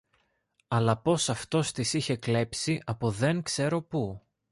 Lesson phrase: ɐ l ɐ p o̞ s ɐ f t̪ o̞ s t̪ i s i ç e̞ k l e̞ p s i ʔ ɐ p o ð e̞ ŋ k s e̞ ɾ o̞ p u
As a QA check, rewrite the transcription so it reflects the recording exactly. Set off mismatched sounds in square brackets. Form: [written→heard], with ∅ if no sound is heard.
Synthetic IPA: ɐ l ɐ p o̞ s ɐ f t̪ o̞ s t̪ i s i ç e̞ k l e̞ p s i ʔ ɐ p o ð e̞ ŋ k s e̞ ɾ o̞ p u